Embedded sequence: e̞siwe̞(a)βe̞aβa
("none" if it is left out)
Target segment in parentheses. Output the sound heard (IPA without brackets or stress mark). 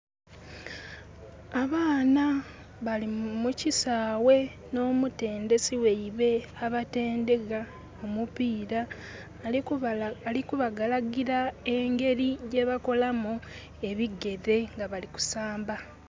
i